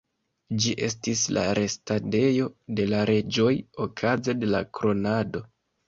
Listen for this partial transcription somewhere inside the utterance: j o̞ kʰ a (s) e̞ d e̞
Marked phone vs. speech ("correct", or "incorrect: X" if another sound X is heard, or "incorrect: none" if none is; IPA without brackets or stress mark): incorrect: z